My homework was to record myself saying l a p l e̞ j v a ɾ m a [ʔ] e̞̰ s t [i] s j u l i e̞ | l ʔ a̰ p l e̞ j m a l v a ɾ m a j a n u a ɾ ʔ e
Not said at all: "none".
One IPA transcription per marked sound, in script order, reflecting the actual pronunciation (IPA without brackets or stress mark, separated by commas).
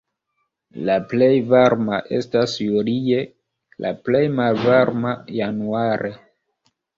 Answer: ʔ, a